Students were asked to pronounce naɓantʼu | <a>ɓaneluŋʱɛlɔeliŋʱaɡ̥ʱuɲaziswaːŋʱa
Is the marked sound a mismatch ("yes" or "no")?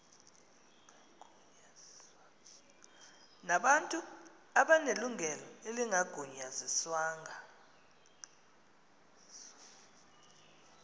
no